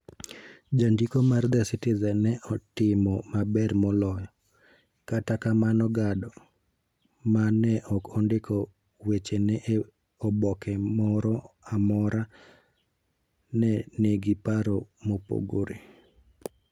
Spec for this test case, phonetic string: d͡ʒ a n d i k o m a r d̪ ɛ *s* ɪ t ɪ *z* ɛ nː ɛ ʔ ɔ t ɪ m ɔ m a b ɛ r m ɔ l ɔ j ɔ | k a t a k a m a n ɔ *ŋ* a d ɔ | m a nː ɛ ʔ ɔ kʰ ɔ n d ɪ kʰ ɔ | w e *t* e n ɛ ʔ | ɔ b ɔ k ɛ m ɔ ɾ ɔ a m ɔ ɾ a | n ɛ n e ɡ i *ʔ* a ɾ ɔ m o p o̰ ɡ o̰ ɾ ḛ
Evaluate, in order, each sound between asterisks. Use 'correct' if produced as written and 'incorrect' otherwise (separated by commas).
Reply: correct, correct, incorrect, incorrect, incorrect